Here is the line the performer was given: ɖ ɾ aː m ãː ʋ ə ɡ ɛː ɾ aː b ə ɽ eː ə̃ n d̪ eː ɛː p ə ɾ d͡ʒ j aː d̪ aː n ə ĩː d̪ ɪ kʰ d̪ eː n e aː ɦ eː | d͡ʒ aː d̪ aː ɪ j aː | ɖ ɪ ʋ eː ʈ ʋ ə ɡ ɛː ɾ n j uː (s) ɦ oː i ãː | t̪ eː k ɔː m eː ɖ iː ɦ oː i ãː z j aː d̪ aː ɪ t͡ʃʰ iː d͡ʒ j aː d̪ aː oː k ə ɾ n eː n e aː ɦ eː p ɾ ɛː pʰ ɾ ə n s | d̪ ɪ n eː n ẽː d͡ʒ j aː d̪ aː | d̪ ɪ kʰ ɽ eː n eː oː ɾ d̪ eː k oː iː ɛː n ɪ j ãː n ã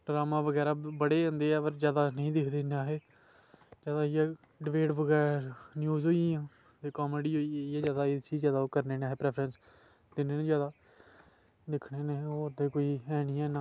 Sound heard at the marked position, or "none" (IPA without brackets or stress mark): z